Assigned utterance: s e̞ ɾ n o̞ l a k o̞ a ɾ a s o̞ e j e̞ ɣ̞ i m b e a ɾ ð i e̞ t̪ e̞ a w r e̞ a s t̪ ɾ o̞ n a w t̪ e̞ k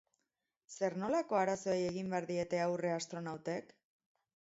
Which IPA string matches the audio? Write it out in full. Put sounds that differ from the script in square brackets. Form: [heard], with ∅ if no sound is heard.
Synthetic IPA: s e̞ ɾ n o̞ l a k o̞ a ɾ a s o̞ e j e̞ ɣ̞ i m b e a ɾ ð i e̞ t̪ e̞ a w r e̞ a s t̪ ɾ o̞ n a w t̪ e̞ k